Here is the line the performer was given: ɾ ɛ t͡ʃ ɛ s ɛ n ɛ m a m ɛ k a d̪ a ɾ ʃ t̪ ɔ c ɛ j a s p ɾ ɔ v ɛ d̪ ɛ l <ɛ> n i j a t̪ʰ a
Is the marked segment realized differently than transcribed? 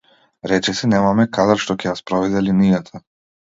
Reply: yes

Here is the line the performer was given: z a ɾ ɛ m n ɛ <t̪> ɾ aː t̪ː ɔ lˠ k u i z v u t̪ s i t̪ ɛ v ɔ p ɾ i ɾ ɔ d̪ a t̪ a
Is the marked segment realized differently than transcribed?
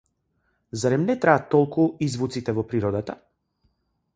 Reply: no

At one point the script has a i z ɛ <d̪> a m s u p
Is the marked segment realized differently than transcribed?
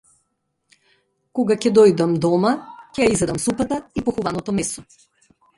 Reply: no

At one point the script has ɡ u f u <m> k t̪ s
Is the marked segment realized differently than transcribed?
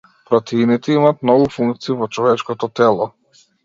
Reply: yes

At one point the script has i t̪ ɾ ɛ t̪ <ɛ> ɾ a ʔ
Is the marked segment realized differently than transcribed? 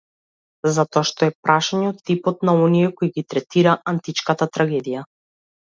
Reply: yes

